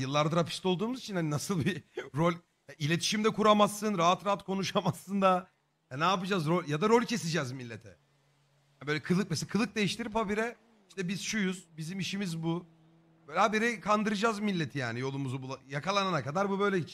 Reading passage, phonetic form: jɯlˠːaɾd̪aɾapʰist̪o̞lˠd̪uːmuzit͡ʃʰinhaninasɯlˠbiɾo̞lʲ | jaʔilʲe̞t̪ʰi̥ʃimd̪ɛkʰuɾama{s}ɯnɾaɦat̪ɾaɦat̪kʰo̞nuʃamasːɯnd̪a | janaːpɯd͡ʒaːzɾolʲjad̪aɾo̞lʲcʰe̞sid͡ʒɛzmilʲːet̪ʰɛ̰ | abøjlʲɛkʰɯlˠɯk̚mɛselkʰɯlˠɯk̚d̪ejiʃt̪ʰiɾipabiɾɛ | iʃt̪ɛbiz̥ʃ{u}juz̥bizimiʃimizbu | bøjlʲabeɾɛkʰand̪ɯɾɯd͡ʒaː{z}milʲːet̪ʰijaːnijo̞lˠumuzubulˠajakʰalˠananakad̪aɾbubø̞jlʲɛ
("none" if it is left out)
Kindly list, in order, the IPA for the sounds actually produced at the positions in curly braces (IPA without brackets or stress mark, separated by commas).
sː, u, z